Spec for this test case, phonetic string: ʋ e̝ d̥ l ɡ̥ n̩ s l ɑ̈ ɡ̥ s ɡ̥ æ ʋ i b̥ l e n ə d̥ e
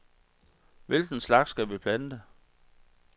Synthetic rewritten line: ʋ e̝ l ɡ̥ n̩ s l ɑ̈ ɡ̥ s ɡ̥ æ ʋ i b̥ l æ n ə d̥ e